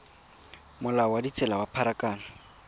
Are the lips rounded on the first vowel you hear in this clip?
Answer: yes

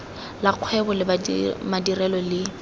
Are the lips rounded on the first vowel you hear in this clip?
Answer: no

